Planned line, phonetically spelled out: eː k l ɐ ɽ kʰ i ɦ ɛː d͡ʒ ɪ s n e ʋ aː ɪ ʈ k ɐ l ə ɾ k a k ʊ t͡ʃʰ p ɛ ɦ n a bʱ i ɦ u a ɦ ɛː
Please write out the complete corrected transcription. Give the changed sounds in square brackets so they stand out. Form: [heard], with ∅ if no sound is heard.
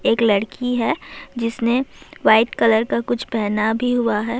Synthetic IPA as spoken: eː k l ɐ ɽ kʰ i ɦ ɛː d͡ʒ ɪ s n e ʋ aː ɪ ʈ k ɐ l ə ɾ k a k ʊ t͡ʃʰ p ɛ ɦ n a bʱ i ɦ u a ɦ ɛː